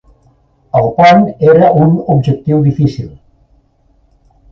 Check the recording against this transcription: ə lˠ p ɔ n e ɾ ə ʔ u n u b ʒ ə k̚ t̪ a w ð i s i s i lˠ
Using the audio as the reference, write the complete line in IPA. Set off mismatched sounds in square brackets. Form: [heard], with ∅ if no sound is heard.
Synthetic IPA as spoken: ə lˠ p ɔ n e ɾ ə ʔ u n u b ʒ ə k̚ t̪ [i] w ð i [f] i s i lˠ